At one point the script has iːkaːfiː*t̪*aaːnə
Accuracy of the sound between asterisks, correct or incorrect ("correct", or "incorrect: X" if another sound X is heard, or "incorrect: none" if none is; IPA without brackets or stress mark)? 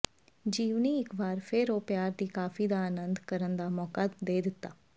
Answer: incorrect: d̪